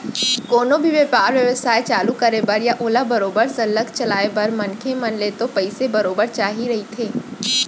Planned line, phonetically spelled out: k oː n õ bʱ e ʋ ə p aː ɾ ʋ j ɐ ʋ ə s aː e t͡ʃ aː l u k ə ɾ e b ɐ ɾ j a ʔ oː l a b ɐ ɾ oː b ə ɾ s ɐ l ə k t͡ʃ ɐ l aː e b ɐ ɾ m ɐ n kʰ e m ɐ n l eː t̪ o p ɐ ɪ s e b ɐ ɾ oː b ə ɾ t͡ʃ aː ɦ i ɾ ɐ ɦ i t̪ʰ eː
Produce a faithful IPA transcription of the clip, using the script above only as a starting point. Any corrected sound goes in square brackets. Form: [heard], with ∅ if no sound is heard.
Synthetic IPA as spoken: k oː n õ bʱ [i] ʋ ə p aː ɾ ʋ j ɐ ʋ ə s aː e t͡ʃ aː l u k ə ɾ e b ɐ ɾ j a ʔ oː l a b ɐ ɾ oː b ə ɾ s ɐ l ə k t͡ʃ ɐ l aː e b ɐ ɾ m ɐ n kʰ e m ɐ n l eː t̪ o p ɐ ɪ s e b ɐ ɾ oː b ə ɾ t͡ʃ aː ɦ i ɾ ɐ ɦ i t̪ʰ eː